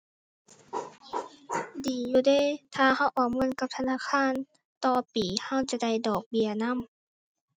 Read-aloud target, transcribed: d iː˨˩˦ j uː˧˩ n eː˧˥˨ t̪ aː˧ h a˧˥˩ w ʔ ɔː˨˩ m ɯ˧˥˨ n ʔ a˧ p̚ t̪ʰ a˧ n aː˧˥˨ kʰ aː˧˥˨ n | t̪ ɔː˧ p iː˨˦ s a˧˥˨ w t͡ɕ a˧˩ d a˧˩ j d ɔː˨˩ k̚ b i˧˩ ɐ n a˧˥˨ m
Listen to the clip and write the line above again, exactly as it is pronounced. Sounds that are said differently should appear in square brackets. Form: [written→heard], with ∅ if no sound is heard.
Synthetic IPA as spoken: d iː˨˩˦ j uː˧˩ [n→d] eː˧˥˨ [t̪→t̪ʰ] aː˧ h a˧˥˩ w ʔ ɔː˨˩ m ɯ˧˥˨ n [ʔ→k] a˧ p̚ t̪ʰ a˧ n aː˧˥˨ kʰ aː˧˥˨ n | t̪ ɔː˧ p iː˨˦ [s→h] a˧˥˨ w t͡ɕ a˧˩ d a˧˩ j d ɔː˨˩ k̚ b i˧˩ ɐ n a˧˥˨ m